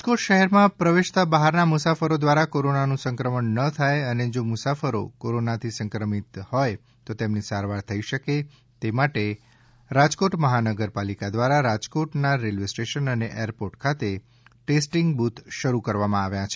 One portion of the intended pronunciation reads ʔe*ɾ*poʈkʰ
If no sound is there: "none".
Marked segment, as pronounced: ɾ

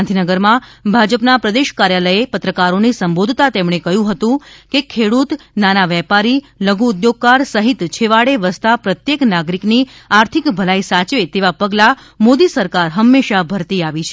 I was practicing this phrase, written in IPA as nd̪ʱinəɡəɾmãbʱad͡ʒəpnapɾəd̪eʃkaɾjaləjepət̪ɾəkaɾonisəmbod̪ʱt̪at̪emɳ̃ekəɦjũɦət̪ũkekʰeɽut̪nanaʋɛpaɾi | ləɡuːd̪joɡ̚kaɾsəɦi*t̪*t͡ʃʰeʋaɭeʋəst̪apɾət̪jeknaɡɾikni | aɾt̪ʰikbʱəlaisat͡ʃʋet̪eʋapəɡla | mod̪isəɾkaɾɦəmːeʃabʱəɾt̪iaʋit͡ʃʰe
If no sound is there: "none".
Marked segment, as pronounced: t̪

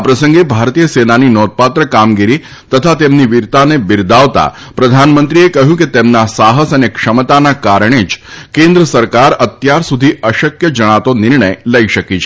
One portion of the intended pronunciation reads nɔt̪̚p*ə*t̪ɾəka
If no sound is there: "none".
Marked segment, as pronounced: a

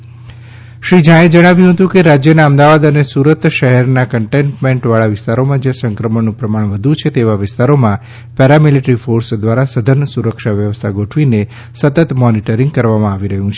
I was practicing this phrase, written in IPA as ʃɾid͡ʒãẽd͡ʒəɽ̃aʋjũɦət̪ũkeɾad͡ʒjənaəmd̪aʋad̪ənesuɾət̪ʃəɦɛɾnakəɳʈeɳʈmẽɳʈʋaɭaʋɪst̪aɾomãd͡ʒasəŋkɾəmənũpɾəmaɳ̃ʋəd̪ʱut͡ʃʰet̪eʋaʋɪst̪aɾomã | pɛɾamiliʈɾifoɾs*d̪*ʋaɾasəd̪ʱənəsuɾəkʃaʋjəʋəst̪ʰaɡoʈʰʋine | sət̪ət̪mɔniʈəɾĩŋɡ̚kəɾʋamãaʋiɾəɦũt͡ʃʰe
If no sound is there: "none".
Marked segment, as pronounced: d̪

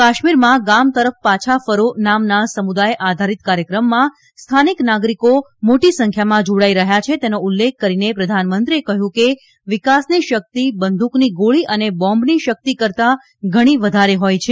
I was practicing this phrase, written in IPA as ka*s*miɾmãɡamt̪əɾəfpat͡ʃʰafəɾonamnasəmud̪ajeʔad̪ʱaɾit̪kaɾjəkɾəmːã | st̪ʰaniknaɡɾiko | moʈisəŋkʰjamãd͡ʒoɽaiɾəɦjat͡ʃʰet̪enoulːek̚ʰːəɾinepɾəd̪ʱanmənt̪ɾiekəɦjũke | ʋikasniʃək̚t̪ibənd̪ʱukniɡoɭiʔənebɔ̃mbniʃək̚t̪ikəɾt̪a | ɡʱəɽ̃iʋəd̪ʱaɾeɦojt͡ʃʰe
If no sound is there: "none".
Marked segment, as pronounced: ʃ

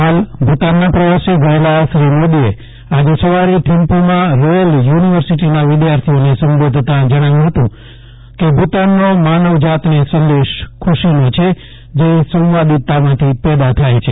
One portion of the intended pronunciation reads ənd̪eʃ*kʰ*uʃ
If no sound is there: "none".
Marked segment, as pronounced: kʰ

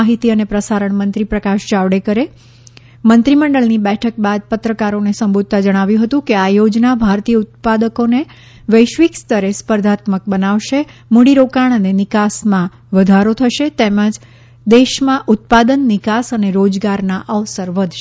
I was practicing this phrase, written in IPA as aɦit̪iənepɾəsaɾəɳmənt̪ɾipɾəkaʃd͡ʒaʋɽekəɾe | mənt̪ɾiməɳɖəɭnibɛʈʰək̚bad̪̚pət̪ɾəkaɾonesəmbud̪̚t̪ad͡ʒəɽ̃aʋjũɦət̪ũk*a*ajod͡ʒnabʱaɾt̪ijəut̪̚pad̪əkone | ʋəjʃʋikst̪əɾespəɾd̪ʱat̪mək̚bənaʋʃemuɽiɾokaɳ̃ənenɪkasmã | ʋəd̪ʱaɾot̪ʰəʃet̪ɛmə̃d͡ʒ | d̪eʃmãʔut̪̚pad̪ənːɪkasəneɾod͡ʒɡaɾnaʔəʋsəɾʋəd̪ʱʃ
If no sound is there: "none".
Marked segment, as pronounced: e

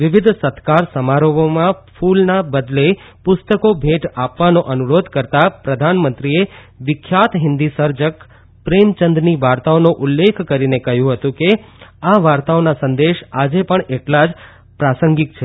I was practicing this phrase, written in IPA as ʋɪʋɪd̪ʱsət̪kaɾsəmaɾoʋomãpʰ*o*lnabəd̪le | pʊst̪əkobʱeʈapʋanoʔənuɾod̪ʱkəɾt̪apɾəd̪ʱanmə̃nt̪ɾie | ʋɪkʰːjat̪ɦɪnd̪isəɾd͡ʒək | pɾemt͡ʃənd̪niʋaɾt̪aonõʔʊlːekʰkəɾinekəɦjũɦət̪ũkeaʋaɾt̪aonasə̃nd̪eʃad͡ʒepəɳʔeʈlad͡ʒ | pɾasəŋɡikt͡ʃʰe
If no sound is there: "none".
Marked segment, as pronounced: u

